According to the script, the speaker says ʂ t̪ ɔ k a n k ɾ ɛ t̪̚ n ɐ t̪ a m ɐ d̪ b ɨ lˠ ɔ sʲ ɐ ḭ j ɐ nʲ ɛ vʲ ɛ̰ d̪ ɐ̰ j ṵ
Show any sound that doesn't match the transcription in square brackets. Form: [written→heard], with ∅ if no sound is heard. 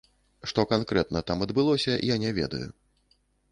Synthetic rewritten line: ʂ t̪ ɔ k a n k ɾ ɛ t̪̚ n ɐ t̪ a m ɐ d̪ b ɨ lˠ ɔ sʲ ɐ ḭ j [ɐ→a] nʲ ɛ vʲ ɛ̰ d̪ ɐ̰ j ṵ